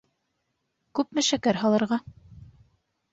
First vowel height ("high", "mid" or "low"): high